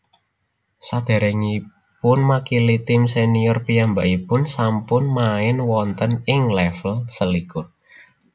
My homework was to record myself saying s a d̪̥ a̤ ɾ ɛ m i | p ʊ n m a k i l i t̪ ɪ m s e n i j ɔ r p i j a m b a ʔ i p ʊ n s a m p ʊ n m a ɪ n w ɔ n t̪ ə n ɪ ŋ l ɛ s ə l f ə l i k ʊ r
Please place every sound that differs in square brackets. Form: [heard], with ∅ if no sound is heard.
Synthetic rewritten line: s a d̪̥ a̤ ɾ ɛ [ŋ] i | p ʊ n m a k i l i t̪ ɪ m s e n i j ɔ r p i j a m b a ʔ i p ʊ n s a m p ʊ n m a ɪ n w ɔ n t̪ ə n ɪ ŋ l ɛ [f] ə l [s] ə l i k ʊ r